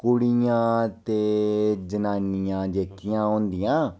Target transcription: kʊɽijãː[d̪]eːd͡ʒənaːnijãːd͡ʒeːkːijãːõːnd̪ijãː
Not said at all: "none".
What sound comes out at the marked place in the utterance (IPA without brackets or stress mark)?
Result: t̪